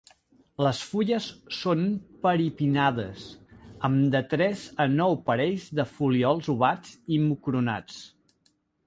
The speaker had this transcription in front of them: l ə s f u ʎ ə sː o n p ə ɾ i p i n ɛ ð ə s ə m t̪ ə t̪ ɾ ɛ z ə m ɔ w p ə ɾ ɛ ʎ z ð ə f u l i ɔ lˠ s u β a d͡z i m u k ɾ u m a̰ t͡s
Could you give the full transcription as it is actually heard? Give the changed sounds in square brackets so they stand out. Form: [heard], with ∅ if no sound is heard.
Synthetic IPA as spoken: l ə s f u ʎ ə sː o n p ə ɾ i p i n [a] ð ə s ə m [d̪] ə t̪ ɾ ɛ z ə [n] ɔ w p ə ɾ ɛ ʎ z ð ə f u l i ɔ lˠ [z] u β a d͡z i m u k ɾ u [n] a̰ t͡s